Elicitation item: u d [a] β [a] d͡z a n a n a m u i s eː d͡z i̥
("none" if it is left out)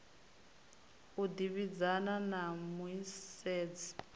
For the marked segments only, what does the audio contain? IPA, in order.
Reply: i, i

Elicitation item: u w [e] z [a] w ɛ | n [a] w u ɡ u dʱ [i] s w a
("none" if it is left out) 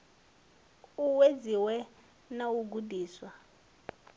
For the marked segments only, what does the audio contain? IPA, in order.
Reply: e, i, a, iː

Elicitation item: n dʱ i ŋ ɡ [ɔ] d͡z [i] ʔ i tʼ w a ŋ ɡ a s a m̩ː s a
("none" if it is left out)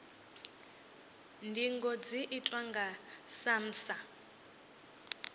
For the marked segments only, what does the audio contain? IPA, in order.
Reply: ɔ, i

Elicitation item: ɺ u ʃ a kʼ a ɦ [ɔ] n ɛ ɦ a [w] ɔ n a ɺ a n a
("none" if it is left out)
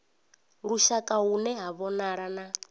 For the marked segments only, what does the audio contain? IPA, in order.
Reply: u, β

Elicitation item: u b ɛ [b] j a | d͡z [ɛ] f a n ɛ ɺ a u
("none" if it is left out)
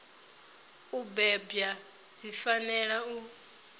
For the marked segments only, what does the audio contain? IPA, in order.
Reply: b, i

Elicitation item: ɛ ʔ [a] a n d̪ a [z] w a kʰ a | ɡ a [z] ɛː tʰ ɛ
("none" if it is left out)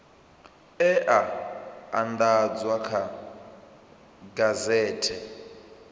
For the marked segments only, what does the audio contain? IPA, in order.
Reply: a, d͡z, z

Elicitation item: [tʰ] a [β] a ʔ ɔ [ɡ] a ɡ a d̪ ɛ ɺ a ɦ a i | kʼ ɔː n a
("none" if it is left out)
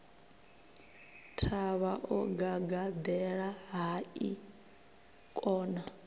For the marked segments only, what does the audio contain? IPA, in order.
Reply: tʰ, β, ɡ

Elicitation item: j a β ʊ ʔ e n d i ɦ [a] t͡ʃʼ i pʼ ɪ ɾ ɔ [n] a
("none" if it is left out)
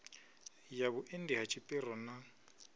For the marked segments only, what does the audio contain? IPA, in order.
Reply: a, n

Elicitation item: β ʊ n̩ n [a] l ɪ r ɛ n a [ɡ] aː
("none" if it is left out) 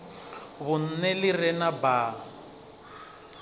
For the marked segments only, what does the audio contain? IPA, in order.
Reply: ɛ, b

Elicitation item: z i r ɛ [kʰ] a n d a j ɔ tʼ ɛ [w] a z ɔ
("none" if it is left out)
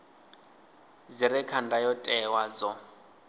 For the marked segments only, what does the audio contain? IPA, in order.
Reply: kʰ, w

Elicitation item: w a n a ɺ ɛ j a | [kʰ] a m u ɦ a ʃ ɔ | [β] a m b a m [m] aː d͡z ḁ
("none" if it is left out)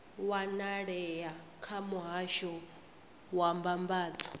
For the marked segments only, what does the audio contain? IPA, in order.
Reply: kʰ, w, b

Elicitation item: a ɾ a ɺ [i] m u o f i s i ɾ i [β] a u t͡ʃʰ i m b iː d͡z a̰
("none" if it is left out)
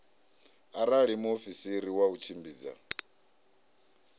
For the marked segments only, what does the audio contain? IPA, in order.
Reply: i, w

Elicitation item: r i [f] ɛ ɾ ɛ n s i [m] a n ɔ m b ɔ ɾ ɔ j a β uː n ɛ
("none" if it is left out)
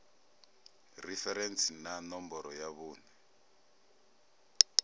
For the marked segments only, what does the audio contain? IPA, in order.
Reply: f, n

